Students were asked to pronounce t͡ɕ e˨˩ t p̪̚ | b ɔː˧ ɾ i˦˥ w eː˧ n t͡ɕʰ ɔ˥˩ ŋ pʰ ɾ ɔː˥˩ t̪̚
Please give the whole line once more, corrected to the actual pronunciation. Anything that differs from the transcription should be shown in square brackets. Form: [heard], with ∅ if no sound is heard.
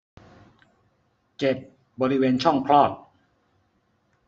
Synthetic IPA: t͡ɕ e˨˩ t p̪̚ | b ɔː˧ ɾ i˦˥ w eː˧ n t͡ɕʰ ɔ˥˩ ŋ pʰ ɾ ɔː˥˩ t̪̚

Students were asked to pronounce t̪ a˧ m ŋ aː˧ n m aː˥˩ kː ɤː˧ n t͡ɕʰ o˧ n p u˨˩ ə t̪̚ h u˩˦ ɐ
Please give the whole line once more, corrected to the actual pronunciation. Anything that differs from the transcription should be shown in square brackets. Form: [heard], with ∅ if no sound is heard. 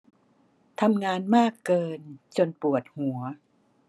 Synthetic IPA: [t̪ʰ] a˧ m ŋ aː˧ n m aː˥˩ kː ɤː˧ n [t͡ɕ] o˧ n p u˨˩ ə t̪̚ h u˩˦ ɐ

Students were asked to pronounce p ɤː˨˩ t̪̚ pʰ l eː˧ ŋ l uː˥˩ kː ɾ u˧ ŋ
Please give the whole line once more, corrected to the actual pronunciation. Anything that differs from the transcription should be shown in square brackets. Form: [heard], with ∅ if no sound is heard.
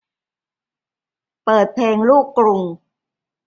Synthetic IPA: p ɤː˨˩ t̪̚ pʰ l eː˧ ŋ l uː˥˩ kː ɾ u˧ ŋ

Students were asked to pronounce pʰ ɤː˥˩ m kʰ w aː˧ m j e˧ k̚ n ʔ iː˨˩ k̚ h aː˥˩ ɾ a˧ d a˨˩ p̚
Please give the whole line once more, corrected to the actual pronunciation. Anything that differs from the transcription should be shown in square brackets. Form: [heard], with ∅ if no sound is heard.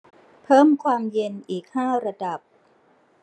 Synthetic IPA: pʰ ɤː˥˩ m kʰ w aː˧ m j e˧ [∅] n ʔ iː˨˩ k̚ h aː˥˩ ɾ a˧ d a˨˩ p̚

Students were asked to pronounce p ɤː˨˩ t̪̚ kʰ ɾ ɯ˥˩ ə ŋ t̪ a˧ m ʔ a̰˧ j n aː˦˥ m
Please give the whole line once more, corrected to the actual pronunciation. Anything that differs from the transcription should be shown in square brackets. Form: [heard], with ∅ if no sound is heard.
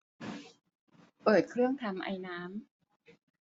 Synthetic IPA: p ɤː˨˩ t̪̚ kʰ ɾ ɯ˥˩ ə ŋ [t̪ʰ] a˧ m ʔ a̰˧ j n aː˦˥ m

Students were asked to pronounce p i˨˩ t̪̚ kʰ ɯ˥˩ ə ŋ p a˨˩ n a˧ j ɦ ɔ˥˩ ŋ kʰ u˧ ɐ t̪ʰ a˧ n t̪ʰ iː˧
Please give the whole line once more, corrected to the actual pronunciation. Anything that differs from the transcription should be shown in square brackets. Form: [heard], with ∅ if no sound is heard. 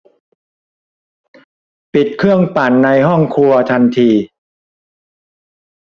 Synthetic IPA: p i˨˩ t̪̚ kʰ ɯ˥˩ ə ŋ p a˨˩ [nː] a˧ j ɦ ɔ˥˩ ŋ kʰ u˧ ɐ t̪ʰ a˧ n t̪ʰ iː˧

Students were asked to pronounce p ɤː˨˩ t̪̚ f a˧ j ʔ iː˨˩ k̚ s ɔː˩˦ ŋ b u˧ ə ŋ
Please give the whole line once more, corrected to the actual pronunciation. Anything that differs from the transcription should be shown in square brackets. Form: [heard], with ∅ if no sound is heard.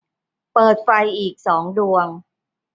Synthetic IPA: p ɤː˨˩ t̪̚ f a˧ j ʔ iː˨˩ k̚ s ɔː˩˦ ŋ [d] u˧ ə ŋ

